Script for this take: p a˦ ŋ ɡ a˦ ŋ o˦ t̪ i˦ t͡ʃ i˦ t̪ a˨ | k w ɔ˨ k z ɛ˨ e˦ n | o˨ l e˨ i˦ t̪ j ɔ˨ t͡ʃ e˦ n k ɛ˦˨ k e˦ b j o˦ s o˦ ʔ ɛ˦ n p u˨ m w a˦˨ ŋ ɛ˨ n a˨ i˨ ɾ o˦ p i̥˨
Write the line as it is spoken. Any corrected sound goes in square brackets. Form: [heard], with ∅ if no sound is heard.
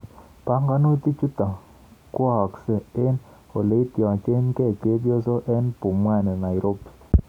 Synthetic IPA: p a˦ ŋ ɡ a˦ [n] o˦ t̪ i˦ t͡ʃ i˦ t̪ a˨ | k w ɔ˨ k [s] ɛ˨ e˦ n | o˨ l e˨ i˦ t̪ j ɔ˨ t͡ʃ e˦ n k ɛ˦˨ k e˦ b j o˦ s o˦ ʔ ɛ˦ n p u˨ m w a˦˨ [n] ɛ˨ n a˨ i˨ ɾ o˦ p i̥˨

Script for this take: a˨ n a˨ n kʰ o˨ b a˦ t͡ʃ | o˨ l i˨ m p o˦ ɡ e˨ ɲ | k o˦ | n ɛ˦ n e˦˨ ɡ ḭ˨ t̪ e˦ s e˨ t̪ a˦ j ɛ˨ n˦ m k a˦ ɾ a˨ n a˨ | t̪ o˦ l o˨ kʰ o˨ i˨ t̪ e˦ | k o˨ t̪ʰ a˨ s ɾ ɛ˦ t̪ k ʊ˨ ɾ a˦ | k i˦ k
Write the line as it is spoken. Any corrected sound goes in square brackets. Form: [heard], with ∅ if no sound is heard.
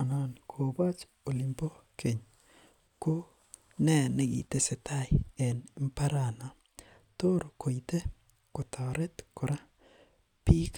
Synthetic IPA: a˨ n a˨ n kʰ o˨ b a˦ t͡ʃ | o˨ l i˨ m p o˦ [k] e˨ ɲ | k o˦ | n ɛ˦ n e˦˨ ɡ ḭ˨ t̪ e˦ s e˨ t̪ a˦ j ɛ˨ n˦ m [p] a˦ ɾ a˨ n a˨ | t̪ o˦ [ɾ] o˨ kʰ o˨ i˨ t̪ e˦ | k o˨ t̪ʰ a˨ [∅] ɾ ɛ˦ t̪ k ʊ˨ ɾ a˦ | [p] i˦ k

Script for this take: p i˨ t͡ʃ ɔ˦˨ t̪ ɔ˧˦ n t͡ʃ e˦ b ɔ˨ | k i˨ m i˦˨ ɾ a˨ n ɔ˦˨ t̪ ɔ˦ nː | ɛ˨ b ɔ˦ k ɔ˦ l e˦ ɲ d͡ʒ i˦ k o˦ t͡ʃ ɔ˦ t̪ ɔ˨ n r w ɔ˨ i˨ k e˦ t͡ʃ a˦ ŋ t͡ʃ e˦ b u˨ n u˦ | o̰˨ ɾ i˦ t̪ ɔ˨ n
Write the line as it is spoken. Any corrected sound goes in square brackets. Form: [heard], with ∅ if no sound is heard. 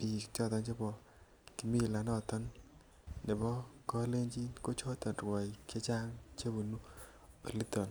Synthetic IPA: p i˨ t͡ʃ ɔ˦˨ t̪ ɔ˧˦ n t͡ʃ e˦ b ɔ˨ | k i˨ m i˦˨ [l] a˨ n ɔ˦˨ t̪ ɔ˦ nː | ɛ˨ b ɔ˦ k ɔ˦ l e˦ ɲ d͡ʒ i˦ k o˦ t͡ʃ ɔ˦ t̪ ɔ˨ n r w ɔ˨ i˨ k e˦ t͡ʃ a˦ ŋ t͡ʃ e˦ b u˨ n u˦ | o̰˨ [l] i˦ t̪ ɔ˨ n

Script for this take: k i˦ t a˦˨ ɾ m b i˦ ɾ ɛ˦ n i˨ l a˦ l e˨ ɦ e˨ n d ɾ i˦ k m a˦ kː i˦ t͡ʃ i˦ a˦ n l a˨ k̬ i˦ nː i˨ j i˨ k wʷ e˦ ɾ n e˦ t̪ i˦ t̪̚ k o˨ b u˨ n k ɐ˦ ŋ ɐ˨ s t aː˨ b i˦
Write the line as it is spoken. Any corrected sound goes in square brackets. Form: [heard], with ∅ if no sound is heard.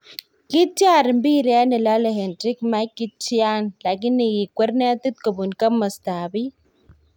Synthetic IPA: k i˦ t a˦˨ ɾ m b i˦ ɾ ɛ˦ n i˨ l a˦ l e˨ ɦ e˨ n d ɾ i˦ k m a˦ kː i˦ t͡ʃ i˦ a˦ n l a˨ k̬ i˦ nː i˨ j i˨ k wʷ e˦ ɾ n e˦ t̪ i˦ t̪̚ k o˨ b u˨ n k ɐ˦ [m] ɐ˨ s t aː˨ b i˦

